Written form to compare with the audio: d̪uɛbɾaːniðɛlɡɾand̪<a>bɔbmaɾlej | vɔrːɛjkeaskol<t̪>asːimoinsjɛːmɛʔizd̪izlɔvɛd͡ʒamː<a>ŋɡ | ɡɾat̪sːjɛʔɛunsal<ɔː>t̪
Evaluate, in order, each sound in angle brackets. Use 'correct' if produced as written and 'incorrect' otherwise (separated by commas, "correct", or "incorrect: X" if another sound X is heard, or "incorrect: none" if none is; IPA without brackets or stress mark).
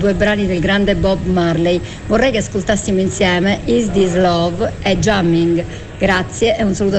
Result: incorrect: ɛ, correct, incorrect: i, incorrect: uː